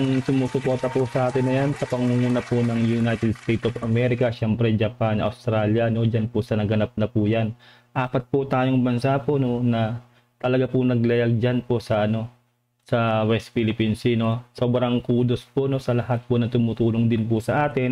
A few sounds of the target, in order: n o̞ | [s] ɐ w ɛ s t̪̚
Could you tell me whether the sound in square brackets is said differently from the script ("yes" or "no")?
no